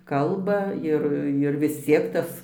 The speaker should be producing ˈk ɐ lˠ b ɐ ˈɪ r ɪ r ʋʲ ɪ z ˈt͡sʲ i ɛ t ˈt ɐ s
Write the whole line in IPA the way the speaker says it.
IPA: ˈk ɐ lˠ b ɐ ˈɪ r ɪ r ʋʲ ɪ s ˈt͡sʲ i ɛ k ˈt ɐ s

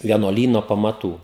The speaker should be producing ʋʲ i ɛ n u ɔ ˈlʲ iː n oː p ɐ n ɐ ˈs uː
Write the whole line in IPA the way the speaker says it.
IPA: ʋʲ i ɛ n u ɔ ˈlʲ iː n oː p ɐ m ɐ ˈt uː

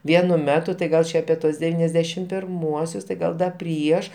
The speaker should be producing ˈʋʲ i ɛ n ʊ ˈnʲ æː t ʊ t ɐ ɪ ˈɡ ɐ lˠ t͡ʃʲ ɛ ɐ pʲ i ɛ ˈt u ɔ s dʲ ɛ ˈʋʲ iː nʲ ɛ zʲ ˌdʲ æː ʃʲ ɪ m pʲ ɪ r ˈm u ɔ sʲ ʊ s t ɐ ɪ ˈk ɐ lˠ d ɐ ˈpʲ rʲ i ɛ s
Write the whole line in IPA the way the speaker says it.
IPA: ˈʋʲ i ɛ n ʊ ˈmʲ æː t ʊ t ɐ ɪ ˈɡ ɐ lˠ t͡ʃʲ ɛ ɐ pʲ i ɛ ˈt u ɔ s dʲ ɛ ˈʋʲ iː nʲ ɛ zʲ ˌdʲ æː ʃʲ ɪ m pʲ ɪ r ˈm u ɔ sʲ ʊ s t ɐ ɪ ˈɡ ɐ lˠ d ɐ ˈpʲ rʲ i ɛ ʃ

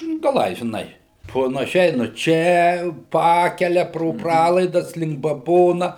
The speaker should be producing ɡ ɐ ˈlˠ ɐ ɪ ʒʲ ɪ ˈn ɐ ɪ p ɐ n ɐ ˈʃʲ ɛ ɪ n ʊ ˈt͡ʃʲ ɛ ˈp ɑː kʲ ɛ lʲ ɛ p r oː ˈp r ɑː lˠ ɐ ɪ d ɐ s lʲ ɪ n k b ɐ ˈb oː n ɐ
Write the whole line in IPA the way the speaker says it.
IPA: ɡ ɐ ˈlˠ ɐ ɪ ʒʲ ɪ ˈn ɐ ɪ p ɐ n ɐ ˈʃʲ ɛ ɪ n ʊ ˈt͡ʃʲ ɛ ˈp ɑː kʲ ɛ lʲ ɛ p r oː ˈp r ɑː lˠ ɐ ɪ d ɐ s lʲ ɪ ŋ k b ɐ ˈb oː n ɐ

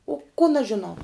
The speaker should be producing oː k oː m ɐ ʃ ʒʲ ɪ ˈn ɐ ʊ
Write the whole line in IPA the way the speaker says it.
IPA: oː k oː n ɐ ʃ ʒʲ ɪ ˈn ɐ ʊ

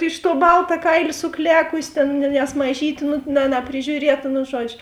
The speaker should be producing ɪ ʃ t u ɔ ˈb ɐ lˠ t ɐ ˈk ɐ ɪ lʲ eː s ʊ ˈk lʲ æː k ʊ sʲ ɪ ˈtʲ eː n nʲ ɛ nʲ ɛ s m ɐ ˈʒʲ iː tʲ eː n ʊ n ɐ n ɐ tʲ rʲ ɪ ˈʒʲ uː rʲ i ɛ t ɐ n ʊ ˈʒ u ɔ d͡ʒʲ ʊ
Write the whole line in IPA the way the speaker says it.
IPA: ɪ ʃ t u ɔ ˈb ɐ lˠ t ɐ ˈk ɐ ɪ lʲ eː s ʊ ˈk lʲ æː k ʊ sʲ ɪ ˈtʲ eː n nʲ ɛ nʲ ɛ s m ɐ ˈʒʲ iː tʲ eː n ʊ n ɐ n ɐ pʲ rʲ ɪ ˈʒʲ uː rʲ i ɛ t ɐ n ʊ ˈʒ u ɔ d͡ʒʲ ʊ

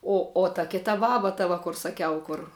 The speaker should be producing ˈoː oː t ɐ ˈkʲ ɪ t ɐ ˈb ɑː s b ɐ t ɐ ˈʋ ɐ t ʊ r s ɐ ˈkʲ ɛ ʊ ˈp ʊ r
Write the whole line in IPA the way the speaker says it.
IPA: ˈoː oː t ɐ ˈkʲ ɪ t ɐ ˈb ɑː b ɐ t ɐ ˈʋ ɐ k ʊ r s ɐ ˈkʲ ɛ ʊ ˈk ʊ r

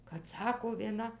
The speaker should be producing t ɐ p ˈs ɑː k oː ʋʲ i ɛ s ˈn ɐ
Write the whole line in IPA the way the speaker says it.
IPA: k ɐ t ˈs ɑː k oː ʋʲ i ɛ ˈn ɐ

